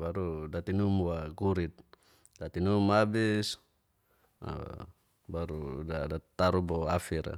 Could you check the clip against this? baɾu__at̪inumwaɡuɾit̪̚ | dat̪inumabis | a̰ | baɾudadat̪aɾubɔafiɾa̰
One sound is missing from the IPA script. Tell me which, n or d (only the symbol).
d